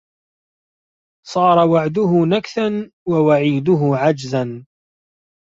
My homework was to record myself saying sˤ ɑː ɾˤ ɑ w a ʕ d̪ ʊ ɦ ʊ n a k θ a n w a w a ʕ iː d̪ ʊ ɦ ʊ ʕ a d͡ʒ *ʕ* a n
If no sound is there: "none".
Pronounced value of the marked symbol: z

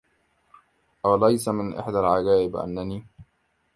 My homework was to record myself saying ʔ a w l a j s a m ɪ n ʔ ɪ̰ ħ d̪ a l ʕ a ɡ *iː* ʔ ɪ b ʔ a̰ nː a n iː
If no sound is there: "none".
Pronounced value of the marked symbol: aː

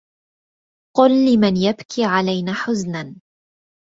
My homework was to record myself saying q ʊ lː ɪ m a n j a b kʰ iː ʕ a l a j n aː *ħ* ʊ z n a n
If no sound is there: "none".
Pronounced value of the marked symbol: ħ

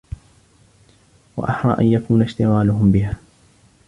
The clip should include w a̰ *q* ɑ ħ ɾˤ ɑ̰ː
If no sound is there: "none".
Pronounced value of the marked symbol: ʔ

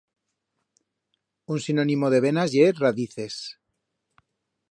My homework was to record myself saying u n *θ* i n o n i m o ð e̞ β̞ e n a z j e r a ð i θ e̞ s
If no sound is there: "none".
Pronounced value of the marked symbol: s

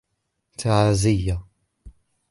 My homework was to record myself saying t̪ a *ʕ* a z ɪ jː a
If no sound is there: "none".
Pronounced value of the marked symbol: ʕ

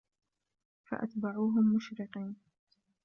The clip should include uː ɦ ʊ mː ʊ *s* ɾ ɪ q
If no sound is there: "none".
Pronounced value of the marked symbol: ʃ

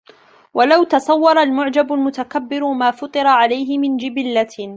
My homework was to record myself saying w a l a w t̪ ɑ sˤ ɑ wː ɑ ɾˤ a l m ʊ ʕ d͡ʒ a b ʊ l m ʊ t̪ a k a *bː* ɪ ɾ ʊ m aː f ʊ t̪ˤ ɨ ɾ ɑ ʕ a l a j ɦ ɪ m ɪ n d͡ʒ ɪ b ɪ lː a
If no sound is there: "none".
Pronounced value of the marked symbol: bː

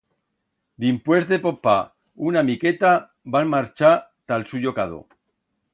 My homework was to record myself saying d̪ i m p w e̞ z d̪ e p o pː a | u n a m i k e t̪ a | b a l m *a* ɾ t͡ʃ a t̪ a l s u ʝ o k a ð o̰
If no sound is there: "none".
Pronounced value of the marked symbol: a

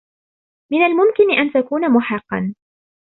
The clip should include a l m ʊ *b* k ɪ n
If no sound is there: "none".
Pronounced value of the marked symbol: m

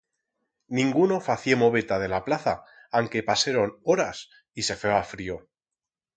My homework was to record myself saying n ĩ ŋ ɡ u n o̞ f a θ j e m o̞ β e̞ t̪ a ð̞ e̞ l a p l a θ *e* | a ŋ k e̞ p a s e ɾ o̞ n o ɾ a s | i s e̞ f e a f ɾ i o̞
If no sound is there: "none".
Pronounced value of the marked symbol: a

